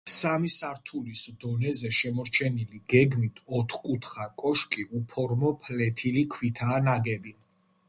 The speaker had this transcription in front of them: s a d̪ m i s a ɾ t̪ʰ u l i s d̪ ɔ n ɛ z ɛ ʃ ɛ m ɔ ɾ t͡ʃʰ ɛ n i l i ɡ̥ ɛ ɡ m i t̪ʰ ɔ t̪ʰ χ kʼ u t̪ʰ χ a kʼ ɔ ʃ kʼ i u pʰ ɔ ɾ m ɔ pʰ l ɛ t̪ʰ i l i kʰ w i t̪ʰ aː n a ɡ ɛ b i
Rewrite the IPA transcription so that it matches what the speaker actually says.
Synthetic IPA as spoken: s a m i s a ɾ t̪ʰ u l i s d̪ ɔ n ɛ z ɛ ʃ ɛ m ɔ ɾ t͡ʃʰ ɛ n i l i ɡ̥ ɛ ɡ m i t̪ʰ ɔ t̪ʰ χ kʼ u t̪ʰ χ a kʼ ɔ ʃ kʼ i u pʰ ɔ ɾ m ɔ pʰ l ɛ t̪ʰ i l i kʰ w i t̪ʰ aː n a ɡ ɛ b i